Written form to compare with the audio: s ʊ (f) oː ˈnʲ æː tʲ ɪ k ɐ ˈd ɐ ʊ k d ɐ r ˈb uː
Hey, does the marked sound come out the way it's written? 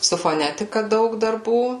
yes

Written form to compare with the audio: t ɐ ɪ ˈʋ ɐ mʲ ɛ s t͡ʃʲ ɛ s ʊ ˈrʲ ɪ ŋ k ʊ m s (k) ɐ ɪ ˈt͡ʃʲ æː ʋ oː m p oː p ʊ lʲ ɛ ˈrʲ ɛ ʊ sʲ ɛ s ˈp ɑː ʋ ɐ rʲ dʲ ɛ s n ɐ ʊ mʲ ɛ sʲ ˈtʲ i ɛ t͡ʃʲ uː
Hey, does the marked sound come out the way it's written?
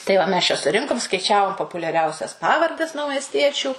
yes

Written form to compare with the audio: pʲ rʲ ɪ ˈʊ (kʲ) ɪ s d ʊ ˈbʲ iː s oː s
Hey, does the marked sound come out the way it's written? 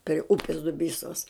no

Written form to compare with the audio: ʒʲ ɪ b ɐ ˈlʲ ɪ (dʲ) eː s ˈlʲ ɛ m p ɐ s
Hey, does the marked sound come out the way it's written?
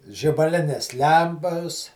no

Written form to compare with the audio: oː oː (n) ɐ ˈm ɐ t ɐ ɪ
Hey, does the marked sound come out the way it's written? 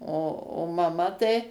no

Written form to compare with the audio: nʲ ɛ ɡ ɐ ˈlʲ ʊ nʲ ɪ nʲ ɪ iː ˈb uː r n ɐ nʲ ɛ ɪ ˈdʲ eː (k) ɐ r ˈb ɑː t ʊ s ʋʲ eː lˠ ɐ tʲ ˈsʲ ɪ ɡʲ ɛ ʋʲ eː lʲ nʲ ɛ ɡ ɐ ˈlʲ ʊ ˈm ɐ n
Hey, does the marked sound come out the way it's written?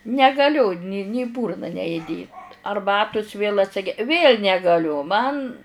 no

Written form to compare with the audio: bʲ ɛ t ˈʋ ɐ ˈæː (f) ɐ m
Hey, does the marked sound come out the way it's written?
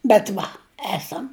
no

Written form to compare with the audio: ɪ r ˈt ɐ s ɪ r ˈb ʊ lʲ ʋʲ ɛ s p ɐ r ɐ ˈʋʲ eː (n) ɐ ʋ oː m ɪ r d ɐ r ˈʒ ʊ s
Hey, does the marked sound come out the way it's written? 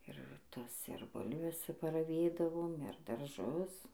no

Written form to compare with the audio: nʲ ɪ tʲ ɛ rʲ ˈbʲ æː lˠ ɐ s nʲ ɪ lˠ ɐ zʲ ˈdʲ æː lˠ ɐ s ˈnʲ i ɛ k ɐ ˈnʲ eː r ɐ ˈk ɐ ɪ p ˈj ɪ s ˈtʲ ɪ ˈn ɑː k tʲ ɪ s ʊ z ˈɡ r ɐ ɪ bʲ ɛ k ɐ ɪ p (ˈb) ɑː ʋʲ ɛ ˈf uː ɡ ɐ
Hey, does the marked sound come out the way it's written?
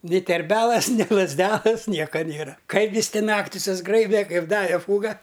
no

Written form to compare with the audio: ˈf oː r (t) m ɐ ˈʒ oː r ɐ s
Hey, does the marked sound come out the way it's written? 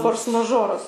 no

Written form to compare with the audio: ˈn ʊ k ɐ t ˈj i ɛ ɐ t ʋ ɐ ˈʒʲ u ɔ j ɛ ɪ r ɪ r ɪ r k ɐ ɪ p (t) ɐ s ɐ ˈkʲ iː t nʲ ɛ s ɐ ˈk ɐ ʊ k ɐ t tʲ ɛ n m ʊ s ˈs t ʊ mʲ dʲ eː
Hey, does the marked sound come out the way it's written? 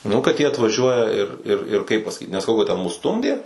no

